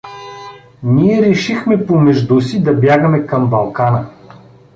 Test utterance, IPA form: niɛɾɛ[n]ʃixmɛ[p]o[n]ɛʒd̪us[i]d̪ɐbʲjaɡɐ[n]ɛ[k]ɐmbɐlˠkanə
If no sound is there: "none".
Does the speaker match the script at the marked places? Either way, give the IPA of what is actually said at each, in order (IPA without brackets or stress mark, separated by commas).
none, p, m, i, m, k